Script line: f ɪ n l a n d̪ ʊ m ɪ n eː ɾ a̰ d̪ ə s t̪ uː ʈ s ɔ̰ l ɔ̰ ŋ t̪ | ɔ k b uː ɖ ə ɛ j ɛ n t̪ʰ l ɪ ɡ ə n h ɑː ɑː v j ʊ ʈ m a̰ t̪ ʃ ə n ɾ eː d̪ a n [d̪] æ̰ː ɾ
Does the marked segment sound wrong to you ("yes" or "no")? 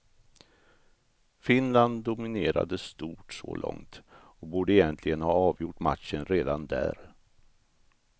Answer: no